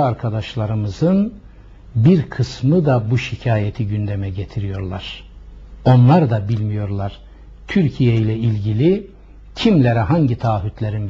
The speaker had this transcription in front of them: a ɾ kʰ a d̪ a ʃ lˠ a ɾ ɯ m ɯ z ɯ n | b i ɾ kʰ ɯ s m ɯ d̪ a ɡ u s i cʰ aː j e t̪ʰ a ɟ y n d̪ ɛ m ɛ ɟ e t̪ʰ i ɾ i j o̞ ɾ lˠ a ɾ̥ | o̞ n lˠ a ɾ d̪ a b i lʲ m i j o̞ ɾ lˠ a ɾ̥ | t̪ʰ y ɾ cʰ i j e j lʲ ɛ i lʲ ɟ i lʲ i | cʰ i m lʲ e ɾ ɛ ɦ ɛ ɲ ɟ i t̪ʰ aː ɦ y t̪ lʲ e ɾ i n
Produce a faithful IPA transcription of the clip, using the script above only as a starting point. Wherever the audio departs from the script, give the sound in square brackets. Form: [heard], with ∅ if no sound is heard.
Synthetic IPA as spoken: a ɾ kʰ a d̪ a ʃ lˠ a ɾ ɯ m ɯ z ɯ n | b i ɾ kʰ ɯ s m ɯ d̪ a [b] u [ʃ] i cʰ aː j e t̪ʰ [i] ɟ y n d̪ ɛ m ɛ ɟ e t̪ʰ i ɾ i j o̞ ɾ lˠ a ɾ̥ | o̞ n lˠ a ɾ d̪ a b i lʲ m i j o̞ ɾ lˠ a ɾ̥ | t̪ʰ y ɾ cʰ i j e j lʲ ɛ i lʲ ɟ i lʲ i | cʰ i m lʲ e ɾ ɛ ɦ [a] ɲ ɟ i t̪ʰ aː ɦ y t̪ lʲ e ɾ i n